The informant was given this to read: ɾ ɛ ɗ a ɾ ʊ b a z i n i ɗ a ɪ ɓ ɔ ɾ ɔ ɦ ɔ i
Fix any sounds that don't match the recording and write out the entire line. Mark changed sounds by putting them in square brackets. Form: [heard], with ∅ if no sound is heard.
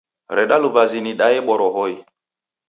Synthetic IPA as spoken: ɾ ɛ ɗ a [l] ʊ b a z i n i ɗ a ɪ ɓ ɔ ɾ ɔ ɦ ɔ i